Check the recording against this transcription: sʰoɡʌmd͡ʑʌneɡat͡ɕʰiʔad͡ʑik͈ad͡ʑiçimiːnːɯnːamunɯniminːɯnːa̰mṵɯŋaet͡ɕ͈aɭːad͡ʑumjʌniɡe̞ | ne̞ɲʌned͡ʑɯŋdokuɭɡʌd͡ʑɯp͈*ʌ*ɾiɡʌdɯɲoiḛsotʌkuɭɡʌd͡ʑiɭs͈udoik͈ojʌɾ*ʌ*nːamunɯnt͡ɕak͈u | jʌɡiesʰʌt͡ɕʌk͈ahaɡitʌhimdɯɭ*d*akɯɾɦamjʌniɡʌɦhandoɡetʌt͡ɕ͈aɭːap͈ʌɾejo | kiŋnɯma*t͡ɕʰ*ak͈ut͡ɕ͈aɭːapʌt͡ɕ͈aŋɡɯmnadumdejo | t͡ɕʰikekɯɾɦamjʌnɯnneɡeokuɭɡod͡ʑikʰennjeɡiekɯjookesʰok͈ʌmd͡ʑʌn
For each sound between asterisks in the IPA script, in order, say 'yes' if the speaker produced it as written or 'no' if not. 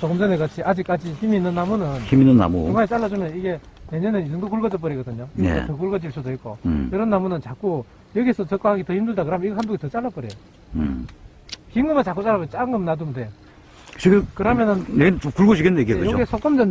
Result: yes, yes, yes, no

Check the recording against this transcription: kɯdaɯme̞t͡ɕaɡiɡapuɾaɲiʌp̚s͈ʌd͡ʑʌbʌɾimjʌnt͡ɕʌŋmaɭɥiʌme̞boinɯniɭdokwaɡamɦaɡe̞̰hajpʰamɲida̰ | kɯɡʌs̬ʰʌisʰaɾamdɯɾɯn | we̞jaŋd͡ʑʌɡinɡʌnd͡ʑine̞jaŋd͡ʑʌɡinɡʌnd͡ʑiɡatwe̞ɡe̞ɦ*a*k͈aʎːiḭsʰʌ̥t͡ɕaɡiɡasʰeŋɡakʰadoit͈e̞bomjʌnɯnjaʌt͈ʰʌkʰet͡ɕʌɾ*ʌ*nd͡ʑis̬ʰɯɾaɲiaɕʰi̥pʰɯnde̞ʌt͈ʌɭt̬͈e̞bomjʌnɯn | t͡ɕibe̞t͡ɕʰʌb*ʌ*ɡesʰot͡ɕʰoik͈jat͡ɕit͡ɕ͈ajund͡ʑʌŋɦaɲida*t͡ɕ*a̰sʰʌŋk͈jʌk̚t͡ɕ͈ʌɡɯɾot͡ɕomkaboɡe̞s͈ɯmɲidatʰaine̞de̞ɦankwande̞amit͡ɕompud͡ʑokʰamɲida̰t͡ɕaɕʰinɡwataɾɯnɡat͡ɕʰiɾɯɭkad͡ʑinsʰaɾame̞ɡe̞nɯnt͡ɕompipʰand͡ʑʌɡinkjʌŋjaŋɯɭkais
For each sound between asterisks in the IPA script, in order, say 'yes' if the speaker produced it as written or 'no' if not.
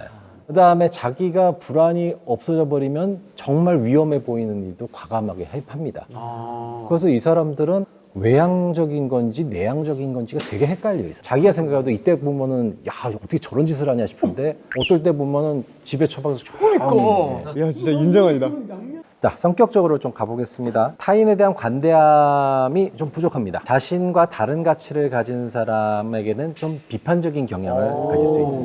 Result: no, yes, no, yes

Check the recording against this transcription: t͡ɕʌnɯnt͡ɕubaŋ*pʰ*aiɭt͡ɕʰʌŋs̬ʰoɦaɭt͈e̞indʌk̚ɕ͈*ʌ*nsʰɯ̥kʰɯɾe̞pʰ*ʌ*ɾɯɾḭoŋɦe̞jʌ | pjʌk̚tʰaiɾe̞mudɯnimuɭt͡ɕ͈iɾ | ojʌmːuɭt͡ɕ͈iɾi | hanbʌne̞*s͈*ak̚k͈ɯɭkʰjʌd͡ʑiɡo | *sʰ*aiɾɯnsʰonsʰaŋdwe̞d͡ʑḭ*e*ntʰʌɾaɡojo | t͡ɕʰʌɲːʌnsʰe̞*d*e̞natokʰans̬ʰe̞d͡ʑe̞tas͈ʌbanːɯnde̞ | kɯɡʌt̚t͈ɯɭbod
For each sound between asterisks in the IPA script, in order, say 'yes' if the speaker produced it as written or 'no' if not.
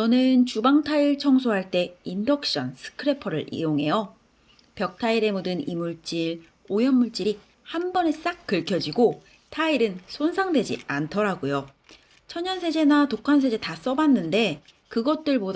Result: no, yes, yes, yes, no, no, no

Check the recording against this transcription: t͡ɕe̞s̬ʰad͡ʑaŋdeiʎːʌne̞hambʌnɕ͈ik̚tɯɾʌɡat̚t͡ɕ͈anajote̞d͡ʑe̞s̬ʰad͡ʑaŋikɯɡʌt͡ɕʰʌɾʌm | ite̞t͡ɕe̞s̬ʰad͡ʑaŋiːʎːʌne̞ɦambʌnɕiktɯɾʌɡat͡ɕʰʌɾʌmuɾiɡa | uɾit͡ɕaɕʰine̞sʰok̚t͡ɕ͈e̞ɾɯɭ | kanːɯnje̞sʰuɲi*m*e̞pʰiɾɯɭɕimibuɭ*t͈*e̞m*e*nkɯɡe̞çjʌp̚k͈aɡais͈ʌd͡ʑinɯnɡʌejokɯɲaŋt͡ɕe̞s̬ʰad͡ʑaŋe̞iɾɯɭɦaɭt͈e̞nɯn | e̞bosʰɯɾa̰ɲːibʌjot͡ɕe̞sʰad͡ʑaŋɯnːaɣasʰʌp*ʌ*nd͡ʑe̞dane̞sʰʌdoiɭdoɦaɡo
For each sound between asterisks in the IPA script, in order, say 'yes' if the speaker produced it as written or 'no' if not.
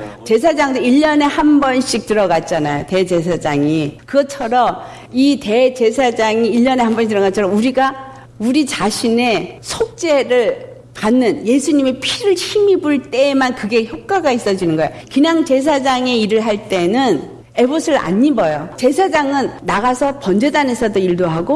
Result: yes, yes, no, yes

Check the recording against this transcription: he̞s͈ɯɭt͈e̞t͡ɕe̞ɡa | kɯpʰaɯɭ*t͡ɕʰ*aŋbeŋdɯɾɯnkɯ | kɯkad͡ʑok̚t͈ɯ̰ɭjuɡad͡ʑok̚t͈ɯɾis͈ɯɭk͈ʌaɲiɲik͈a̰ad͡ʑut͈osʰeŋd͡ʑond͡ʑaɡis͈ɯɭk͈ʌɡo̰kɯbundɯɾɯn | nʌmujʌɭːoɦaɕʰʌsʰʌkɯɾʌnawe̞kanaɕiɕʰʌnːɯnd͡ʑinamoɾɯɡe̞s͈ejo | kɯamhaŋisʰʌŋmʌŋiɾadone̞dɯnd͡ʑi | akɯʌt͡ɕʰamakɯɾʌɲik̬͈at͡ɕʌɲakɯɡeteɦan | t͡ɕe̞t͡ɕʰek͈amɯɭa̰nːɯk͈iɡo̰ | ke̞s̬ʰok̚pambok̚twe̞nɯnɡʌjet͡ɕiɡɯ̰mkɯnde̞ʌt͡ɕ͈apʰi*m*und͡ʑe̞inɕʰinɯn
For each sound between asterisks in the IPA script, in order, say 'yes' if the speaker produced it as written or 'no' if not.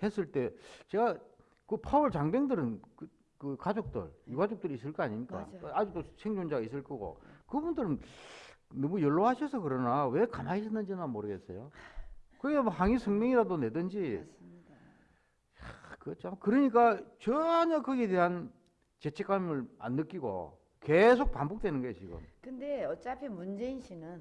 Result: no, yes

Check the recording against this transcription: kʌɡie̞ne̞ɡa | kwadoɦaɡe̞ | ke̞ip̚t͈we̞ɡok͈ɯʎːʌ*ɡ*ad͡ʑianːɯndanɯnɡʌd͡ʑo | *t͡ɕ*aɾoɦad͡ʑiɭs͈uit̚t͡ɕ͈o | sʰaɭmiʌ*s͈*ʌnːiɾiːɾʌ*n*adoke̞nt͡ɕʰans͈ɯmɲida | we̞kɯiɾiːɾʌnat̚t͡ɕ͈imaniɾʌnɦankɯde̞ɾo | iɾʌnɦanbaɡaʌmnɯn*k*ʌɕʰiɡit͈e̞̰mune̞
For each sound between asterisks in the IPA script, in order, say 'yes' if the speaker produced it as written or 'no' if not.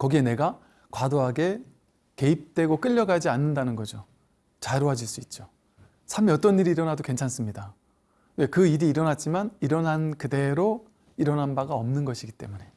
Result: yes, yes, no, yes, no

